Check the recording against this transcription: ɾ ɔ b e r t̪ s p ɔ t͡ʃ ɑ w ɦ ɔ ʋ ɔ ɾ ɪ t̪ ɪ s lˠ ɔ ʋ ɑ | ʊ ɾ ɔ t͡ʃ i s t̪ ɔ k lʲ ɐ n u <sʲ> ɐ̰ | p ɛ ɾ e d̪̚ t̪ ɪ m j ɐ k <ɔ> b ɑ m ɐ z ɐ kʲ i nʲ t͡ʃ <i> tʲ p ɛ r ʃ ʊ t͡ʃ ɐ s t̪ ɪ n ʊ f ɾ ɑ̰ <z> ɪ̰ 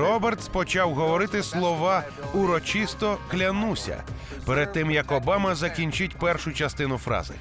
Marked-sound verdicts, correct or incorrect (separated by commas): correct, correct, incorrect, correct